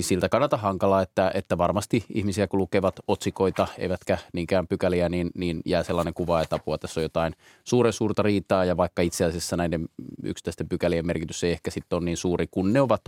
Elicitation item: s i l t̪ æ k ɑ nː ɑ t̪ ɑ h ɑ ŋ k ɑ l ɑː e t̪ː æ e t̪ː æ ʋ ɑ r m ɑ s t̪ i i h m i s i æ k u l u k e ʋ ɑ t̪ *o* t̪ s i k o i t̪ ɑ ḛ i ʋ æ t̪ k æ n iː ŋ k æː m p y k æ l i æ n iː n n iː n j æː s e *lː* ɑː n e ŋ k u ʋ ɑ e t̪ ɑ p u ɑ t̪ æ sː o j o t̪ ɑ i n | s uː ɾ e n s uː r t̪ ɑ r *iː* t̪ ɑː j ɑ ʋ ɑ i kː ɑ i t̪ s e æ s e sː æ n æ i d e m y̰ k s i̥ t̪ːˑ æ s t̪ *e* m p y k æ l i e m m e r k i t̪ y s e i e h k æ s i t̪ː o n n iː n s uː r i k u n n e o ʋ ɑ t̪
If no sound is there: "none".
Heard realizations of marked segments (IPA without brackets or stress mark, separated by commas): o, lː, iː, e